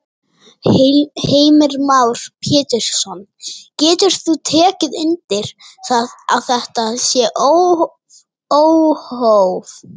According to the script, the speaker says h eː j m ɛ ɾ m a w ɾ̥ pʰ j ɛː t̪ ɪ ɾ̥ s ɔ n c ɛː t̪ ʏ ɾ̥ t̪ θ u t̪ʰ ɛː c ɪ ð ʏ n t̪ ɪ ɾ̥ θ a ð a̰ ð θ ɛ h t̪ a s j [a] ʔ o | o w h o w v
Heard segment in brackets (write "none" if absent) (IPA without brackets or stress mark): ɛ